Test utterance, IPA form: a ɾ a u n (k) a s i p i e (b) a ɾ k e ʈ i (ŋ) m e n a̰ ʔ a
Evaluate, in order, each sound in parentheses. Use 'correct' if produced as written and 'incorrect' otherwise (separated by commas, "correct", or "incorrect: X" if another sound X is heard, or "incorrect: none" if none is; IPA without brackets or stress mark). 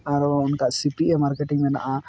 correct, incorrect: m, correct